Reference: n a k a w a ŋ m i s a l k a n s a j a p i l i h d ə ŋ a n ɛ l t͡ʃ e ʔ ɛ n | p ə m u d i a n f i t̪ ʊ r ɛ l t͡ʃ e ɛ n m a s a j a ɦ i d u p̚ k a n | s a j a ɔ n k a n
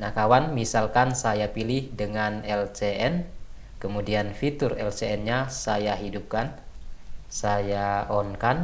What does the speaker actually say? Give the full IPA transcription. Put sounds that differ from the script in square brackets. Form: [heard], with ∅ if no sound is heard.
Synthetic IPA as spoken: n a k a w a [n] m i s a l k a n s a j a p i l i h d ə ŋ a n ɛ l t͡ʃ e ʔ ɛ n | [k] ə m u d i a n f i t̪ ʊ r ɛ l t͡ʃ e ɛ n [ɲ] a s a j a ɦ i d u p̚ k a n | s a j a ɔ n k a n